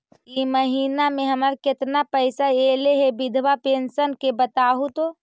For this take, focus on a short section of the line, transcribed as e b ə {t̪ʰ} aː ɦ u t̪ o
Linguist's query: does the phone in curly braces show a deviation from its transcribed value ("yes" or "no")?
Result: yes